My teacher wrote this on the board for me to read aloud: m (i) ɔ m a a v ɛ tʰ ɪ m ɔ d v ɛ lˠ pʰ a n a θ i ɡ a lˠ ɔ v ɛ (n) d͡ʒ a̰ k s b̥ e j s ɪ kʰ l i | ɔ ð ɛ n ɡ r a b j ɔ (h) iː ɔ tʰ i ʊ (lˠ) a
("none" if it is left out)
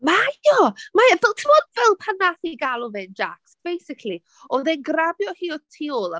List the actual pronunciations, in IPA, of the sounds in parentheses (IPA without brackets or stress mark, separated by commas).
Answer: a, n, h, lˠ